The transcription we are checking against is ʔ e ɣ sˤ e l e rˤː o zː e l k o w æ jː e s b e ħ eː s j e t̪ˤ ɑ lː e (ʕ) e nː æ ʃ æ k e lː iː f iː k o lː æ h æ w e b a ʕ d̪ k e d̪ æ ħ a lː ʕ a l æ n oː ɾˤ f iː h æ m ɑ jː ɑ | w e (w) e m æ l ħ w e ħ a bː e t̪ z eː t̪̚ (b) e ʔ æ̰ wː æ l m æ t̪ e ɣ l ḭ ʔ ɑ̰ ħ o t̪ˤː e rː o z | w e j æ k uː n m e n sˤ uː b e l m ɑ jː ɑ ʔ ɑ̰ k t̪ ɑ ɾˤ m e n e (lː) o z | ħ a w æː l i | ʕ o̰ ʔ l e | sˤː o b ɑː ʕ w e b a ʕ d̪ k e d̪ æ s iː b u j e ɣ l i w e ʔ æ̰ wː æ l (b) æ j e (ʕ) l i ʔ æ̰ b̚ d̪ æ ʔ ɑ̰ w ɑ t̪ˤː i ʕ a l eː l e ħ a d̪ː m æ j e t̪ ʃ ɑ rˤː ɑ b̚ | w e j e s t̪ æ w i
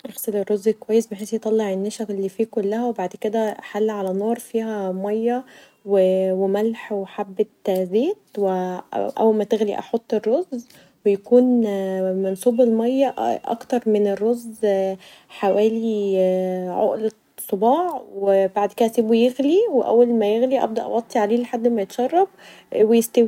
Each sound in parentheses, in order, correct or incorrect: correct, correct, incorrect, incorrect, incorrect, incorrect

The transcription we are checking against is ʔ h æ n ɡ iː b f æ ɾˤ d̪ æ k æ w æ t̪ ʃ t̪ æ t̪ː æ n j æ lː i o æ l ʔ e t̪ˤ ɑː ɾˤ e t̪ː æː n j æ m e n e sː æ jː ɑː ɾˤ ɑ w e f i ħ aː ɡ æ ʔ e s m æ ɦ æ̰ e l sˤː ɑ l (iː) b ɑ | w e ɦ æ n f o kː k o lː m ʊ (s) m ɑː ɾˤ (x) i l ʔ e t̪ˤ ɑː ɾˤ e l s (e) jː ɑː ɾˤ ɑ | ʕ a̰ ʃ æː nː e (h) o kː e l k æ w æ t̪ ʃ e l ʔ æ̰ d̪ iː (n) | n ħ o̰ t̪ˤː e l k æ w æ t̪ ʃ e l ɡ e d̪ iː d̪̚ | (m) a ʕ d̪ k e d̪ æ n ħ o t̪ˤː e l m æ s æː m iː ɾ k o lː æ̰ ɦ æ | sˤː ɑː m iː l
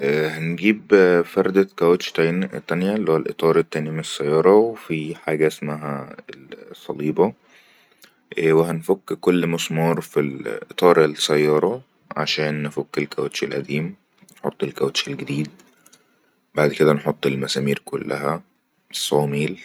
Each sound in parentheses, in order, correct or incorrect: correct, correct, incorrect, incorrect, incorrect, incorrect, incorrect

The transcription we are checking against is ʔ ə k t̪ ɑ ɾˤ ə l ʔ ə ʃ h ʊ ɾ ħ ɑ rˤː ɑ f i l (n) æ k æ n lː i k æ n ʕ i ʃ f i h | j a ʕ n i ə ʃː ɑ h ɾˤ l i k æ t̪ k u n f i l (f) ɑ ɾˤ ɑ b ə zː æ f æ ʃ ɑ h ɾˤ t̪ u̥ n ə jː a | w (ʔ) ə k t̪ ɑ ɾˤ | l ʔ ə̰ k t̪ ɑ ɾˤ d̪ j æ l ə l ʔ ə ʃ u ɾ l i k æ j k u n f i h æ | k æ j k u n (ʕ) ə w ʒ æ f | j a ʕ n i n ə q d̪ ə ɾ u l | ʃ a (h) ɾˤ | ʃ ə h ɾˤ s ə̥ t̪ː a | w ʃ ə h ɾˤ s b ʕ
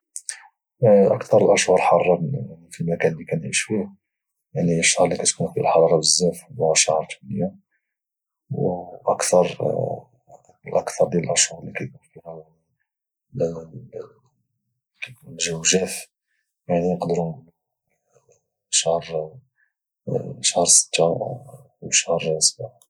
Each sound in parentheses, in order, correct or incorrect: incorrect, incorrect, correct, incorrect, correct

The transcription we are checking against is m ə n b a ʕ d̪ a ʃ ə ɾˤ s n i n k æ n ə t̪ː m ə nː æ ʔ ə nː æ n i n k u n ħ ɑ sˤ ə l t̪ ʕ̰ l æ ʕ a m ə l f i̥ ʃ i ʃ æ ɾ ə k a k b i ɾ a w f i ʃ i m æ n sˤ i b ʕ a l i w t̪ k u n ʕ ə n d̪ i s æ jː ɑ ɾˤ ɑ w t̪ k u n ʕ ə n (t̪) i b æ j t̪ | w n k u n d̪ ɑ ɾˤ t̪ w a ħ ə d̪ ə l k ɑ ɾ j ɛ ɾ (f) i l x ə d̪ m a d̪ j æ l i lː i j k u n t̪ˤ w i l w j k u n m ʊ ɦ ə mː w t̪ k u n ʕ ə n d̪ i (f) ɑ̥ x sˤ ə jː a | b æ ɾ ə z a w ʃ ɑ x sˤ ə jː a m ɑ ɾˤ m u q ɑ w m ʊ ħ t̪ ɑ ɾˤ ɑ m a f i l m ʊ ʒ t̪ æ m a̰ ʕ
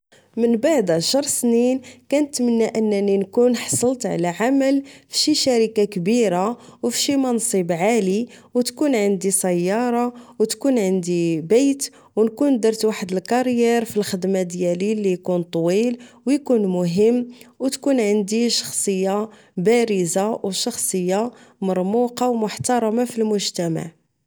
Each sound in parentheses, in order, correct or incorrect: incorrect, correct, incorrect

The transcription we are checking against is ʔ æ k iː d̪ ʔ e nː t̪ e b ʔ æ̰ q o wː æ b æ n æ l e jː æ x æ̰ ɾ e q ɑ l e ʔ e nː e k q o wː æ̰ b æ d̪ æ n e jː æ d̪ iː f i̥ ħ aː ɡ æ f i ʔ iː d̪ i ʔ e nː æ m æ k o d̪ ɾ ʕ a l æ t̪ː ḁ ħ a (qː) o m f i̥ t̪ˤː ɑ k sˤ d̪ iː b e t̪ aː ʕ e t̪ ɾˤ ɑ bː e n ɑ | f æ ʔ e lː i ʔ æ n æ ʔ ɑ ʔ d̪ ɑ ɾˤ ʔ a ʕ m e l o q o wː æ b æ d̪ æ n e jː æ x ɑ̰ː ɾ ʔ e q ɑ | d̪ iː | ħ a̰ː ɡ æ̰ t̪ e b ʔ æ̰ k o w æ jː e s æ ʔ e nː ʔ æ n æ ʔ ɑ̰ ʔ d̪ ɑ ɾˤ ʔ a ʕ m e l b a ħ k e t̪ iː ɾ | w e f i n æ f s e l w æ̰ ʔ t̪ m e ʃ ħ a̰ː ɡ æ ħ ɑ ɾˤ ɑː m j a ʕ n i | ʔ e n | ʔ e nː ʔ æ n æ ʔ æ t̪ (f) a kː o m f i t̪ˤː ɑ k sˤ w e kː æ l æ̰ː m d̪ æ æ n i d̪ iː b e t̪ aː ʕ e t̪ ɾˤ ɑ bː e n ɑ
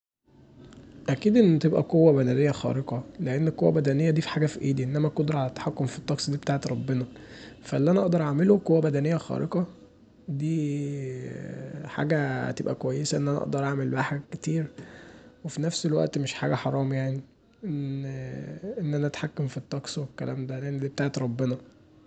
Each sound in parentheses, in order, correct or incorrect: incorrect, incorrect

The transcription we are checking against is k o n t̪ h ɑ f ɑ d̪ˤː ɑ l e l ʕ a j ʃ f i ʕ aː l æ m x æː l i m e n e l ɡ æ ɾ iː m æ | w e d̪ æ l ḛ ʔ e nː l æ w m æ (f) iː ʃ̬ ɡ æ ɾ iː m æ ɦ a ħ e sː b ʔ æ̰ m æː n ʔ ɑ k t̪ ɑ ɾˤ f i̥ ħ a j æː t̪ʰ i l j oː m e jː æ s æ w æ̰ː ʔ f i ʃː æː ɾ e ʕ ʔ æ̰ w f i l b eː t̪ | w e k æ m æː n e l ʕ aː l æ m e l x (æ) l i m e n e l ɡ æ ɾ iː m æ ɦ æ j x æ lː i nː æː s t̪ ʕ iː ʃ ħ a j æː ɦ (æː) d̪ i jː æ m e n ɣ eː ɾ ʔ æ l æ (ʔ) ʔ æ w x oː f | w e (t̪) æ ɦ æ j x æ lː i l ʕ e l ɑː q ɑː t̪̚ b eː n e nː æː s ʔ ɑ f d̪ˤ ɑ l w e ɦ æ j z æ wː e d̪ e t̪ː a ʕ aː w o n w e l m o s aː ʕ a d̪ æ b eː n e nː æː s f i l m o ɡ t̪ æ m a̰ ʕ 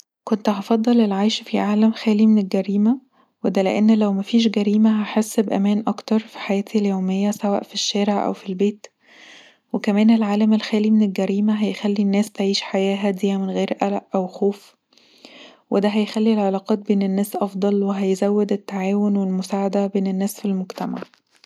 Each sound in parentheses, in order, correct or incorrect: correct, incorrect, incorrect, correct, incorrect

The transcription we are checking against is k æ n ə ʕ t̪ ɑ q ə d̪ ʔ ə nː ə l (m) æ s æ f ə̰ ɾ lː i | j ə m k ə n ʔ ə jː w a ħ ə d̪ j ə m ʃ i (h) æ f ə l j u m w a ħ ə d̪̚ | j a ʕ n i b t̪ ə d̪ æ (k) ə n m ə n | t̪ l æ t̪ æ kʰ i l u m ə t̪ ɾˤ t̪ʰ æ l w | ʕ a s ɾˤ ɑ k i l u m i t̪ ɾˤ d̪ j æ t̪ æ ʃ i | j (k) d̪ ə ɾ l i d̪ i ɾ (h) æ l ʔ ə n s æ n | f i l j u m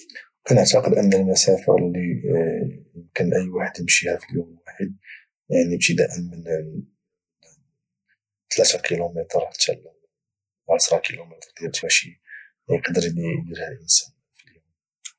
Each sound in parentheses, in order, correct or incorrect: correct, correct, incorrect, incorrect, correct

